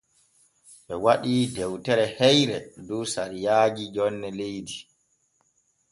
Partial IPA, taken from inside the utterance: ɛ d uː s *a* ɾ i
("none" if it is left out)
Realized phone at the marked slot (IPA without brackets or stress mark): a